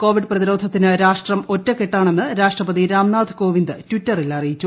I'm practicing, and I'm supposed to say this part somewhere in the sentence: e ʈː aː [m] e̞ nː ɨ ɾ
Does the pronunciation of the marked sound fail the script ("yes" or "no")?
yes